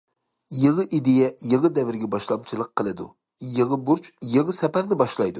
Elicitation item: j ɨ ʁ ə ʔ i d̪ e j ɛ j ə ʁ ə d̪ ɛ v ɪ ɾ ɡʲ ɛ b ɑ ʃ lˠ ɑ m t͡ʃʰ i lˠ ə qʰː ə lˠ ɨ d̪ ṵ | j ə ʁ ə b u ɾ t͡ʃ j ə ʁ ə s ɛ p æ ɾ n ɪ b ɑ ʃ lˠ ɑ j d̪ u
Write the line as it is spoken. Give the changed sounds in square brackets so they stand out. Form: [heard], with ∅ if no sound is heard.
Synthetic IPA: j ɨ ʁ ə ʔ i d̪ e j ɛ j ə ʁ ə d̪ ɛ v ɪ ɾ ɡʲ ɛ b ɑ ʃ lˠ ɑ m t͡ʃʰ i lˠ ə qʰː ə lˠ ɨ d̪ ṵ | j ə ʁ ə b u ɾ t͡ʃ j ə ʁ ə s ɛ p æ ɾ n ɪ b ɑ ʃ lˠ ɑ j d̪ u